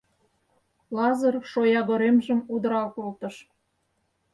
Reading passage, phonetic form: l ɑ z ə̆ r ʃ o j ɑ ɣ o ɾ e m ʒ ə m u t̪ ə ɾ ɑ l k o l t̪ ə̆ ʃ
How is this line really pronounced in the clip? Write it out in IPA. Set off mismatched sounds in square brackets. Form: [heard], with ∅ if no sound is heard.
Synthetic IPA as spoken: l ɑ z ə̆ r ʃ o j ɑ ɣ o ɾ e m ʒ ə m u [d̪] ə ɾ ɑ l k o l t̪ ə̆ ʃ